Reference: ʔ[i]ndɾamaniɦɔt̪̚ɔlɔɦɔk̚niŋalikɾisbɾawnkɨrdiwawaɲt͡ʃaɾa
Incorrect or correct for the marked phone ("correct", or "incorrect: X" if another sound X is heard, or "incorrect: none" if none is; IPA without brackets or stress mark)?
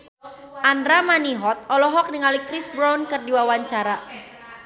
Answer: incorrect: a